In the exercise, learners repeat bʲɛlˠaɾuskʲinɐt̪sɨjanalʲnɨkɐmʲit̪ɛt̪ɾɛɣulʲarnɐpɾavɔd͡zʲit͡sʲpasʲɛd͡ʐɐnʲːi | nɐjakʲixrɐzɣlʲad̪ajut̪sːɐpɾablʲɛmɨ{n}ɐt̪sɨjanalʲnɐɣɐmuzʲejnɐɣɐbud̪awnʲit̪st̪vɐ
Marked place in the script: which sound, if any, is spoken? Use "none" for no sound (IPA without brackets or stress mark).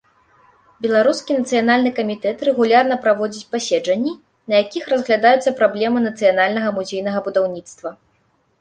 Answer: n